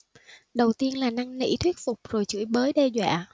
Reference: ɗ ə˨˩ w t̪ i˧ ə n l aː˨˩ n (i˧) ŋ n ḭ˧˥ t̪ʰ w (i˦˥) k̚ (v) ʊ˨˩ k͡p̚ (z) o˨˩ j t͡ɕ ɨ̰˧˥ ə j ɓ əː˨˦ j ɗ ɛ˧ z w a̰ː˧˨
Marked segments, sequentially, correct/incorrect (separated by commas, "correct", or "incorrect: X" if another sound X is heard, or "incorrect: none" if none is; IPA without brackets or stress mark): incorrect: a˧, correct, incorrect: f, correct